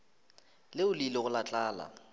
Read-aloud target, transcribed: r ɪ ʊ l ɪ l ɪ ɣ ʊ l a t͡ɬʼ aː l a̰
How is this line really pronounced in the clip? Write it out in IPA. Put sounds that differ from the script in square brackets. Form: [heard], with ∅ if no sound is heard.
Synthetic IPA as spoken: [l] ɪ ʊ l [i] l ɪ ɣ ʊ l a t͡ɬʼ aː l a̰